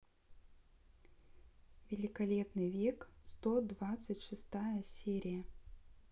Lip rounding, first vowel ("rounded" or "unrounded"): unrounded